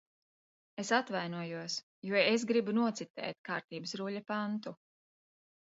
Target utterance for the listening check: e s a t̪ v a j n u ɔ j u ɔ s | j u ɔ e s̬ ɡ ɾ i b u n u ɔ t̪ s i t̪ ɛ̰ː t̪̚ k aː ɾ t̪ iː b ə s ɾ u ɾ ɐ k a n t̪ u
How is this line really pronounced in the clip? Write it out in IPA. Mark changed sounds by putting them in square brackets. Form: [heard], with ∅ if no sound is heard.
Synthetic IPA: e s a t̪ v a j n u ɔ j u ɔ s | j u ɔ e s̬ ɡ ɾ i b u n u ɔ t̪ s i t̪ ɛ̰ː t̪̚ k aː ɾ t̪ iː b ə s ɾ u [ʎ] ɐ [p] a n t̪ u